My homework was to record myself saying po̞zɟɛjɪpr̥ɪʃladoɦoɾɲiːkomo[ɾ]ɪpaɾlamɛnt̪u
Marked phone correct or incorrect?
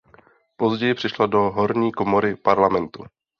correct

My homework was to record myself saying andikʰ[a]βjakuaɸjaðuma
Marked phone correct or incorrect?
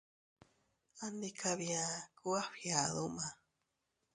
correct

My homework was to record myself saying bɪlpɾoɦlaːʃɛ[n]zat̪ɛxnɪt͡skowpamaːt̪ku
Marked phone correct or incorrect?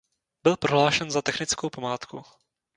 correct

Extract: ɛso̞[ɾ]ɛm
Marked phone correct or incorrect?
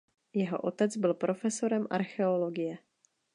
correct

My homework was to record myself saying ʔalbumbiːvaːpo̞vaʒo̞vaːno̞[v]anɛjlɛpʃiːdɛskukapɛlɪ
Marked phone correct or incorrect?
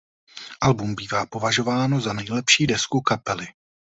incorrect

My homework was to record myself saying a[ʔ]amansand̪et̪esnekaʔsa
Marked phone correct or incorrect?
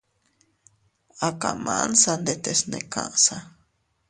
incorrect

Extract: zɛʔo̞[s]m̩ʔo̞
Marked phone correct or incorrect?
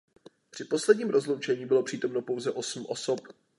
correct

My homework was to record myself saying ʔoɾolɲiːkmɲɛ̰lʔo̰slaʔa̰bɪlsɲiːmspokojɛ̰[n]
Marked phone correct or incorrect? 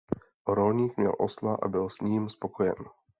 correct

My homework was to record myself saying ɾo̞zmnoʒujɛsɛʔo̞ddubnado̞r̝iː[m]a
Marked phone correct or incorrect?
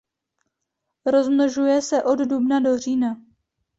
incorrect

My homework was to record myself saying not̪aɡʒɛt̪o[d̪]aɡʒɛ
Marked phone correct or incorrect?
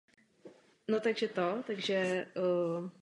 incorrect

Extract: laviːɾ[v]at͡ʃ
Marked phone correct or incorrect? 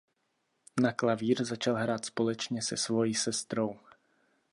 incorrect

